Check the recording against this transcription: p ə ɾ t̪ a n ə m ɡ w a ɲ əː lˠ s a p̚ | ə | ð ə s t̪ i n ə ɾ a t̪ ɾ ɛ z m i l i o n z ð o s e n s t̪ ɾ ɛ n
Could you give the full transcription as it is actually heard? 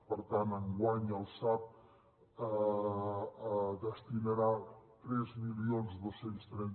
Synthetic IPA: p ə ɾ t̪ a n ə ŋ ɡ w a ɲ ə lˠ s a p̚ | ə | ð ə s t̪ i n ə ɾ a t̪ ɾ ɛ z m i l i o n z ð o s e n s t̪ ɾ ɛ n